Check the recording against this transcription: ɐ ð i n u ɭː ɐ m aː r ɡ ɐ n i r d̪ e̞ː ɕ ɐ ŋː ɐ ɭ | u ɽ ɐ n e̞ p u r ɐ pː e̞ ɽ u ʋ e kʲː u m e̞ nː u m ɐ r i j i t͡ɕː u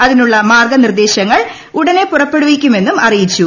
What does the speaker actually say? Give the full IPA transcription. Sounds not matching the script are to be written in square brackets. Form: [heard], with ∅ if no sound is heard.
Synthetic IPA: ɐ ð i n u ɭː ɐ m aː r ɡ ɐ n i r d̪ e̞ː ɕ ɐ ŋː ɐ ɭ | u ɽ ɐ n e̞ p u r ɐ pː e̞ ɽ u ʋ [i] kʲː u m e̞ nː u m ɐ r i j i t͡ɕː u

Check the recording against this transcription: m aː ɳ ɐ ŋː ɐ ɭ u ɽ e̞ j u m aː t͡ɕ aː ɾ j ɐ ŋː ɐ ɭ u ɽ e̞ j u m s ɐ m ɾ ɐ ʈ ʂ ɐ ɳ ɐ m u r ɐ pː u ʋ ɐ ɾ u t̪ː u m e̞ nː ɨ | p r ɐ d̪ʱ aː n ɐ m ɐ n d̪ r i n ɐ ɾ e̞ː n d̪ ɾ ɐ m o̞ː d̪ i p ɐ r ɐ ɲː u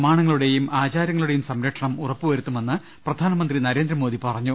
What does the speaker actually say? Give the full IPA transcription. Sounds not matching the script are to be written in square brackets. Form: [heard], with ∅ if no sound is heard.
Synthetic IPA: m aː ɳ ɐ ŋː ɐ ɭ u ɽ e̞ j u m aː t͡ɕ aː ɾ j ɐ ŋː ɐ ɭ u ɽ e̞ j u m s ɐ m ɾ ɐ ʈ ʂ ɐ ɳ ɐ m u r ɐ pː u ʋ ɐ ɾ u t̪ː u m e̞ nː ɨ | p r ɐ d̪ʱ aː n ɐ m ɐ n d̪ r i n ɐ ɾ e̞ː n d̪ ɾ ɐ m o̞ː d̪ i p ɐ r ɐ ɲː u

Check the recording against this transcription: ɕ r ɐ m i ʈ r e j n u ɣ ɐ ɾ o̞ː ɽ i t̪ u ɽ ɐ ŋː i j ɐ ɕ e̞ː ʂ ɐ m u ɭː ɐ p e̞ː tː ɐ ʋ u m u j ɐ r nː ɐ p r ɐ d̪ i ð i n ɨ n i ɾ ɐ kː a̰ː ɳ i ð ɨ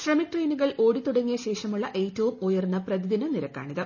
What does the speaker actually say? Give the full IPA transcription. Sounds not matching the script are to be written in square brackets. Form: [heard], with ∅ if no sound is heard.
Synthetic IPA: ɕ r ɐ m i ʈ r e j n u ɣ ɐ [ɭ] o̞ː ɽ i t̪ u ɽ ɐ ŋː i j ɐ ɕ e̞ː ʂ ɐ m u ɭː ɐ [ʔ] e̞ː tː ɐ ʋ u m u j ɐ r nː ɐ p r ɐ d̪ i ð i n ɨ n i ɾ ɐ kː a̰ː ɳ i ð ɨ

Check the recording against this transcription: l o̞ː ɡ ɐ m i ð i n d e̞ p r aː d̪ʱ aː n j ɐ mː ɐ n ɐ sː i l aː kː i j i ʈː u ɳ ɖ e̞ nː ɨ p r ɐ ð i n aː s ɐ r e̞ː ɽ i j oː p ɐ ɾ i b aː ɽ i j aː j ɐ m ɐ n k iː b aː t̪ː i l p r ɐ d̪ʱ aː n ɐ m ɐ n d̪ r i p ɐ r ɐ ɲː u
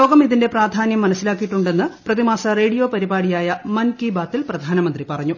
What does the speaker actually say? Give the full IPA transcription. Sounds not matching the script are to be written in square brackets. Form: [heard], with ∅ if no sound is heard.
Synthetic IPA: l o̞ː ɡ ɐ m i ð i n d e̞ p r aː d̪ʱ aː n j ɐ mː ɐ n ɐ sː i l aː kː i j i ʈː u ɳ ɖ e̞ nː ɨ p r ɐ ð i [m] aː s ɐ r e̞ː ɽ i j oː p ɐ ɾ i b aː ɽ i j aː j ɐ m ɐ n k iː b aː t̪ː i l p r ɐ d̪ʱ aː n ɐ m ɐ n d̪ r i p ɐ r ɐ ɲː u

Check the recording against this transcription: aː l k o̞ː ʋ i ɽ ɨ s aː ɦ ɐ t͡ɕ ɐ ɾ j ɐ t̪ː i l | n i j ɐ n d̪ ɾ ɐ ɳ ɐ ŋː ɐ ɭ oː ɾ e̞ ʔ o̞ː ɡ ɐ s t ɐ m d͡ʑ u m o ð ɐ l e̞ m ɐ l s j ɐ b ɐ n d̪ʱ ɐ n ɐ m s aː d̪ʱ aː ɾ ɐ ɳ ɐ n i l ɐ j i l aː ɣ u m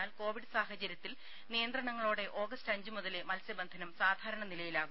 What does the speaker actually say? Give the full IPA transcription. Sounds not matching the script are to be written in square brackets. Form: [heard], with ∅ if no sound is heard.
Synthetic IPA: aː l k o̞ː ʋ i ɽ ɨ s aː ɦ ɐ t͡ɕ ɐ ɾ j ɐ t̪ː i l | n i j ɐ n d̪ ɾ ɐ ɳ ɐ ŋː ɐ ɭ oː [ɽ] e̞ ʔ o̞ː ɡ ɐ s t ɐ [ɲ] d͡ʑ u m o ð ɐ l e̞ m ɐ l s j ɐ b ɐ n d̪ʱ ɐ n ɐ m s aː d̪ʱ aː ɾ ɐ ɳ ɐ n i l ɐ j i l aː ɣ u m

